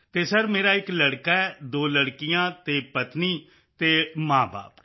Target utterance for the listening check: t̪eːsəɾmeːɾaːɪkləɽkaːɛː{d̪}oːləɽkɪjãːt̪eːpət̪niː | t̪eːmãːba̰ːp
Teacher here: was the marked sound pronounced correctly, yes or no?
yes